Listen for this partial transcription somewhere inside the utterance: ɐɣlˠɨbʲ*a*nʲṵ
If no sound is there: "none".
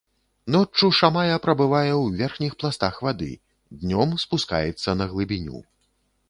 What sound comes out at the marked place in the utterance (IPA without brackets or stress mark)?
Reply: i